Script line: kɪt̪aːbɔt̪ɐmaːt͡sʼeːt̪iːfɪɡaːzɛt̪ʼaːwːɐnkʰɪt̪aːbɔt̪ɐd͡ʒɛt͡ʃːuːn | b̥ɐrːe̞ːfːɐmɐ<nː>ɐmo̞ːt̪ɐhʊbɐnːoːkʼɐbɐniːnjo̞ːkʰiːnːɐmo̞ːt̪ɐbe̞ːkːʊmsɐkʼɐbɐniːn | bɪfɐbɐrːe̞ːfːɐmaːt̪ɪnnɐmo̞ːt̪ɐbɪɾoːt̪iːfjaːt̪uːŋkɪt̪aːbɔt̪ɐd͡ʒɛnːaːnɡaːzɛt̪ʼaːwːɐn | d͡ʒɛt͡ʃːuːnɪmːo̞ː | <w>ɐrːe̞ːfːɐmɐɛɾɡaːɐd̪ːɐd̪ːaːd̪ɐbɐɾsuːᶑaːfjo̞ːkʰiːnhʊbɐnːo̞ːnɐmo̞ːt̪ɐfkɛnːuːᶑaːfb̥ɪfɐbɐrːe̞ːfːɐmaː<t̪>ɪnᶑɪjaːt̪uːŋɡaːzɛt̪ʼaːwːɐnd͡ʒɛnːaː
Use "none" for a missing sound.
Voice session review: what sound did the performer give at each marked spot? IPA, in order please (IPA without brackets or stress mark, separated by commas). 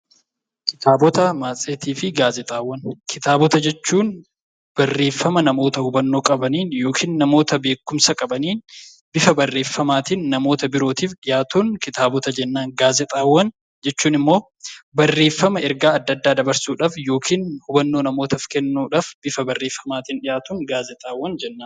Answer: n, b, t̪